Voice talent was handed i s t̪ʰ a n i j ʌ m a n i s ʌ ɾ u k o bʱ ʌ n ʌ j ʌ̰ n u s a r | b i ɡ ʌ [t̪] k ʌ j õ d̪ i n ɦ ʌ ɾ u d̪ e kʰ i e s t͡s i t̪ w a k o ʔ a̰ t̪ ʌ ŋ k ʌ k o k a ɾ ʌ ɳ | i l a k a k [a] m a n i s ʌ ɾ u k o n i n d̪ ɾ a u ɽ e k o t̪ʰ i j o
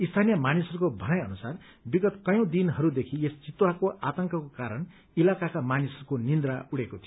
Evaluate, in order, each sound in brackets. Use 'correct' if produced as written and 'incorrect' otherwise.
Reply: correct, correct

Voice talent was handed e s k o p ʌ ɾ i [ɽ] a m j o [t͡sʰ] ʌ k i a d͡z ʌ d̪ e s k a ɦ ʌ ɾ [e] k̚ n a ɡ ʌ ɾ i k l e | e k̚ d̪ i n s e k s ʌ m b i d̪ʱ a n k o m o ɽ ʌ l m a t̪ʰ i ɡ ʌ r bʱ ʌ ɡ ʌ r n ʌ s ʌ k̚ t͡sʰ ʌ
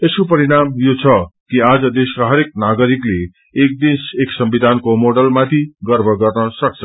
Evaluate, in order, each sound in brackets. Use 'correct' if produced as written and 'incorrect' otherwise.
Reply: correct, correct, correct

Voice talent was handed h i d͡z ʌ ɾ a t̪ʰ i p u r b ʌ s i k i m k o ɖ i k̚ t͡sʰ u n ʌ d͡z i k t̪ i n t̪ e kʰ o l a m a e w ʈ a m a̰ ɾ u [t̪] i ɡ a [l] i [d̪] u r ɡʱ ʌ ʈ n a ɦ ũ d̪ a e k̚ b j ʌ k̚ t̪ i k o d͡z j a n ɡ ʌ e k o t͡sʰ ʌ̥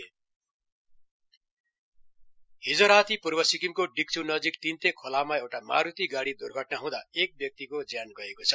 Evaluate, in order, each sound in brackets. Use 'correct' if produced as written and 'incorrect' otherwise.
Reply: correct, incorrect: ɽ, correct

